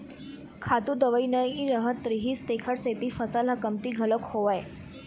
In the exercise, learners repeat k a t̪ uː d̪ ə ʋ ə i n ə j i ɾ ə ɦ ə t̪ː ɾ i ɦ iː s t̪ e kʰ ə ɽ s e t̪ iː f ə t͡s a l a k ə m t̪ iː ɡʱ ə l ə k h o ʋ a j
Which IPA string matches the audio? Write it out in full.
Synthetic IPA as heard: kʰ a t̪ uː d̪ ə ʋ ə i n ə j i ɾ ə ɦ ə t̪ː ɾ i ɦ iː s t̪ e kʰ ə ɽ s e t̪ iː f ə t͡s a l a k ə m t̪ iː ɡʱ ə l ə k h o ʋ a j